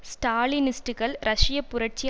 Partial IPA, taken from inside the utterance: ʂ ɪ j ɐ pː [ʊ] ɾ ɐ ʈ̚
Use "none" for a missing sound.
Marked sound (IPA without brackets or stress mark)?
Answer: ʊ